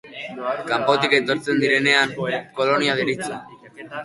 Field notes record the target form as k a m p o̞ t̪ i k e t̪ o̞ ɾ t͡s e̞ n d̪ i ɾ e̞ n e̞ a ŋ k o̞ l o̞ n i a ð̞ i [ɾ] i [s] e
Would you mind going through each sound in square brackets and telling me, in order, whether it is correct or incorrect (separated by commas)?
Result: correct, incorrect